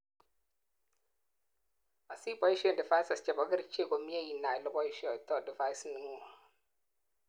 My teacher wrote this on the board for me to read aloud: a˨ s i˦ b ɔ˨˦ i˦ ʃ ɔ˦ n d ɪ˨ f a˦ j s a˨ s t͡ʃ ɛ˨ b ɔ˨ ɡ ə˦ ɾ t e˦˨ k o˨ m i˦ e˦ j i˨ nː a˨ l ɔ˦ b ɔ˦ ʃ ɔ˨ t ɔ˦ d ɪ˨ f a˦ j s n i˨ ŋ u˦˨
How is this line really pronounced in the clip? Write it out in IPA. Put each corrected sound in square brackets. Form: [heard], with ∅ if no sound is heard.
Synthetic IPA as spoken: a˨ s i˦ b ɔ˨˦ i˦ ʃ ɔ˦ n d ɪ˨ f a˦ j s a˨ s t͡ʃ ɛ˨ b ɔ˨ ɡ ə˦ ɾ [t͡ʃ] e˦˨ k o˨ m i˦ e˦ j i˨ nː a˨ l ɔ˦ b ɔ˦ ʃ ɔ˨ t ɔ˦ d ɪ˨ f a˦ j s n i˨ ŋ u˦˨

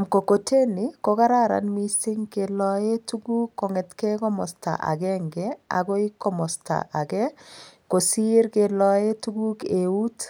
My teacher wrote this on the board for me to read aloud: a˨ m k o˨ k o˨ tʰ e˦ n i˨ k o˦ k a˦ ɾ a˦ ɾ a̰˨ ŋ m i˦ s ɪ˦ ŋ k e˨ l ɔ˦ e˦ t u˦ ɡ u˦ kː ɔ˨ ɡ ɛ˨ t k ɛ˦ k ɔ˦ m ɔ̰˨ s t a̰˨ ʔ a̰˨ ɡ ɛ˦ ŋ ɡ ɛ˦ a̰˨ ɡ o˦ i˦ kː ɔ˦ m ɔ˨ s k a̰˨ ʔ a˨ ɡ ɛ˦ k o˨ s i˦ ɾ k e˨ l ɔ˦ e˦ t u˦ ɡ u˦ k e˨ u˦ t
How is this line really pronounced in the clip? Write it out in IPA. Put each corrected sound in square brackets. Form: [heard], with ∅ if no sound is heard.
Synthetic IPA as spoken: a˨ m k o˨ k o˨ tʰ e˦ n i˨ k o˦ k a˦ ɾ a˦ ɾ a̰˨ [n] m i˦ s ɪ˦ ŋ k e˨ l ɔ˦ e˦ t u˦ ɡ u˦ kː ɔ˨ [ŋ] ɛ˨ t k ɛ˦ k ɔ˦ m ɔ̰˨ s t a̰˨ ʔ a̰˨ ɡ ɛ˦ ŋ ɡ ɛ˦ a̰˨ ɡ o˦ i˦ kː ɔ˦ m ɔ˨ s [t] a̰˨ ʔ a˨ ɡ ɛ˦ k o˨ s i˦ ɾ k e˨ l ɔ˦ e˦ t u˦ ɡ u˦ k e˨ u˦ t

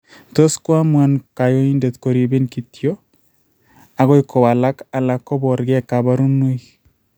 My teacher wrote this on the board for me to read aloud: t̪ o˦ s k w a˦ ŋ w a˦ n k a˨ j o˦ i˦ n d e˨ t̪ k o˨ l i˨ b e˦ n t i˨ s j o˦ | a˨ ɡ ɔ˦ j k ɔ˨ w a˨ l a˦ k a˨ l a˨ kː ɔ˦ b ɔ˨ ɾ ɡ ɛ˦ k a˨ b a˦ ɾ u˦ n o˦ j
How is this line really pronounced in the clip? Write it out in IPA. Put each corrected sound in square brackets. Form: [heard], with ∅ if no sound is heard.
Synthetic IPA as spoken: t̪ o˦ s k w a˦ [m] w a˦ n k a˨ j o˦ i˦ n d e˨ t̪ k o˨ [ɾ] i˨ b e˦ n [k] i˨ [t] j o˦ | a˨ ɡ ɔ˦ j k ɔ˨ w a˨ l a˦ k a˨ l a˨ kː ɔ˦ b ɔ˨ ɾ ɡ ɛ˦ k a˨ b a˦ ɾ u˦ n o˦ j

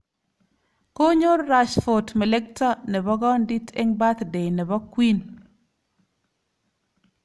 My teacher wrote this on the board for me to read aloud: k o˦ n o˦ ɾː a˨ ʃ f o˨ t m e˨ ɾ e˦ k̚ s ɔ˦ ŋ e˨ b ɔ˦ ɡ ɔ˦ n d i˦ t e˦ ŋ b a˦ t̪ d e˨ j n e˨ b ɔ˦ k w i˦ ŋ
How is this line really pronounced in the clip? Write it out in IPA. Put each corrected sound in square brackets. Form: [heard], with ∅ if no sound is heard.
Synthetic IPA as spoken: k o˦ [ɲ] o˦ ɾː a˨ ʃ f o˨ t m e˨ [l] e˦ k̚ [t] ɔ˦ [n] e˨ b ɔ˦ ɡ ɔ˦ n d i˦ t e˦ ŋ b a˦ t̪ d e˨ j n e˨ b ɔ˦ k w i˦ [n]

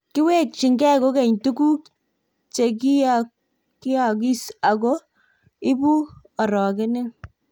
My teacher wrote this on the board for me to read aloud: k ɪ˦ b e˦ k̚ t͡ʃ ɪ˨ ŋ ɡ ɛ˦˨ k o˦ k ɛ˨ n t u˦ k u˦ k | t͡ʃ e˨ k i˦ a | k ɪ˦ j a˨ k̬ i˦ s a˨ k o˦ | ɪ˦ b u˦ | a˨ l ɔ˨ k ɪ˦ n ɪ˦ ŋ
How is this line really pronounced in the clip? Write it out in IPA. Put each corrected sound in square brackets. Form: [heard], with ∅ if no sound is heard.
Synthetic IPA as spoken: k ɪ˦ [w] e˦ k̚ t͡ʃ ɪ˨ ŋ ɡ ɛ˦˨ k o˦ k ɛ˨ [ɲ] t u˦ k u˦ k | t͡ʃ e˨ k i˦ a | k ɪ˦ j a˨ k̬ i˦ s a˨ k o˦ | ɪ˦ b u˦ | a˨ [ɾ] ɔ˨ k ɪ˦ n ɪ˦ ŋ

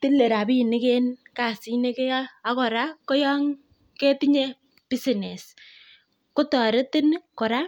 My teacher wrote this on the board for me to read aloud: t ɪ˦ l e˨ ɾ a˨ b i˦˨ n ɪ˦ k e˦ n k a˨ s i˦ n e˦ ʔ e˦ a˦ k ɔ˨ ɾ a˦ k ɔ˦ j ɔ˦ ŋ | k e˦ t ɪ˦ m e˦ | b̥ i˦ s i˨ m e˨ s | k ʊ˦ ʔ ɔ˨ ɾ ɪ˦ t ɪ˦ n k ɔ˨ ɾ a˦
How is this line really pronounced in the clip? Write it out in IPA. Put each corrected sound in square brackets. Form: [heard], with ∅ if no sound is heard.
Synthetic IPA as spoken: t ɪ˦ l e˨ ɾ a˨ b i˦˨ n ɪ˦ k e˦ n k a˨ s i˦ n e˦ [k] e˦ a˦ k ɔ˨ ɾ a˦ k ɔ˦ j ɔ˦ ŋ | k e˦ t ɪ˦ [ɲ] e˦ | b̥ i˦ s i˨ [n] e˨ s | k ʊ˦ [t] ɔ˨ ɾ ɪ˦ t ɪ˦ n k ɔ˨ ɾ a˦

